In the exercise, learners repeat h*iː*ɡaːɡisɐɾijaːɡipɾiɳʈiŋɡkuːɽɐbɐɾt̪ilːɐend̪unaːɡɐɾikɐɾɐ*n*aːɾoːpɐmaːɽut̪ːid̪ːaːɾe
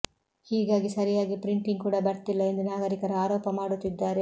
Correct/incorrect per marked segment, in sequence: correct, incorrect

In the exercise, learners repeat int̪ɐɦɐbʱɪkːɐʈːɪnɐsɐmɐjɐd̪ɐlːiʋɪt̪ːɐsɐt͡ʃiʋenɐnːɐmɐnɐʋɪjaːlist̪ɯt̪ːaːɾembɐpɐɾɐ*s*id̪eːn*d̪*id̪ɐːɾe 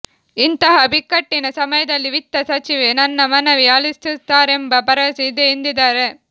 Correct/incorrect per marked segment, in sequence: correct, correct

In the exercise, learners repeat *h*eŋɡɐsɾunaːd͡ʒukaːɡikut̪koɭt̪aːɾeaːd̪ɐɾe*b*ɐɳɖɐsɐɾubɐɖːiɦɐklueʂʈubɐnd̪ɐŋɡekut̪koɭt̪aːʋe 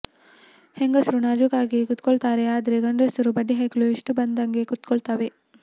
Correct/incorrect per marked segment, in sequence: correct, incorrect

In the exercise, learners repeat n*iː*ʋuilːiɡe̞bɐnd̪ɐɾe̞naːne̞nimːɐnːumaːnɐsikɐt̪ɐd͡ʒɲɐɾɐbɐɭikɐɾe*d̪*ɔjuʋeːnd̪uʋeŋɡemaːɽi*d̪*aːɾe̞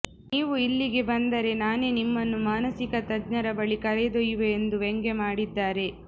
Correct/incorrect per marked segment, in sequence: correct, correct, incorrect

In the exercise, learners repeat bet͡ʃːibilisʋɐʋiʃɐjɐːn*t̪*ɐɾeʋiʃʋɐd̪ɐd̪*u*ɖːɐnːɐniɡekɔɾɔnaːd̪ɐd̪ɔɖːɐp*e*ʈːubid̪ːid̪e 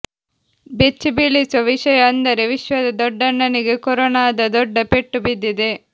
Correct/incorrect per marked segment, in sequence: incorrect, incorrect, correct

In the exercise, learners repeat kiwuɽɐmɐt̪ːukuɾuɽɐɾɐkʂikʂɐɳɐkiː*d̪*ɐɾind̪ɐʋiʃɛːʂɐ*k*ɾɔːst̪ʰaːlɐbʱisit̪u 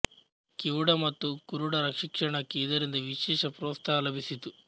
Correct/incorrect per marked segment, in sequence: correct, incorrect

